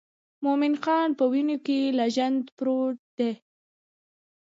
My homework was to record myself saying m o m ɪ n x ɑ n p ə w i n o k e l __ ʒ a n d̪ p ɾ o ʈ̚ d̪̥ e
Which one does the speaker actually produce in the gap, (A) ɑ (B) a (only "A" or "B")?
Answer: B